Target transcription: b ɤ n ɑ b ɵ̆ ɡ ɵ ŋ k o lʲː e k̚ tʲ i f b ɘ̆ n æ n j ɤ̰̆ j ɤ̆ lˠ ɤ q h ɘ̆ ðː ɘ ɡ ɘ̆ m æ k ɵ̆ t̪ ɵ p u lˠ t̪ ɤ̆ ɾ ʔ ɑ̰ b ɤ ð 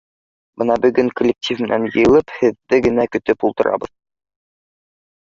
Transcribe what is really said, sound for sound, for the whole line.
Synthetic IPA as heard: b ɤ n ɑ b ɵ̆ ɡ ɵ ŋ k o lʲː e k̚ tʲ i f m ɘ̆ n æ n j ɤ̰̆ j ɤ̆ lˠ ɤ p h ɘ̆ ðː ɘ ɡ ɘ̆ n æ k ɵ̆ t̪ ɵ p u lˠ t̪ ɤ̆ ɾ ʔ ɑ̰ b ɤ ð